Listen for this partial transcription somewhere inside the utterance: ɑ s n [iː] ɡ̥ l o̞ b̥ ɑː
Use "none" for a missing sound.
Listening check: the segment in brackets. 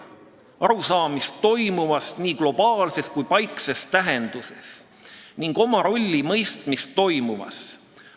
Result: iː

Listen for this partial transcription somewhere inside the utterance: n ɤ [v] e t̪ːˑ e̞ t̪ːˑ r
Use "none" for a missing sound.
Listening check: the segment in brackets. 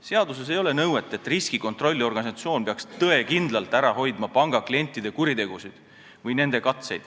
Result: w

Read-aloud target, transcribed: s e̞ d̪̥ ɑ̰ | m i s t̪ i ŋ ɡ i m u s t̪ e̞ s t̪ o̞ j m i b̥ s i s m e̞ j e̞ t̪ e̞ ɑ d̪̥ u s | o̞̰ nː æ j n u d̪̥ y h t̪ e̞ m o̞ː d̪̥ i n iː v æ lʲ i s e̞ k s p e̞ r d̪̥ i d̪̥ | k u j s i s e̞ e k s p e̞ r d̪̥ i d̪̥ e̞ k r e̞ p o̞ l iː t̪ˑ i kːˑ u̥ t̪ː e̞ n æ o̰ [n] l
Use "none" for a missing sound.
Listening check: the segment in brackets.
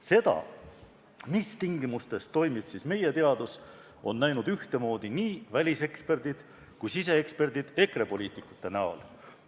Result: none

